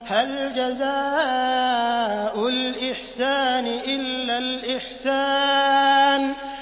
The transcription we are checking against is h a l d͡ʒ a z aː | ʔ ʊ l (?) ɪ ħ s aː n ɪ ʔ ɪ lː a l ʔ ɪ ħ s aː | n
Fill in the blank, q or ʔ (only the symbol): ʔ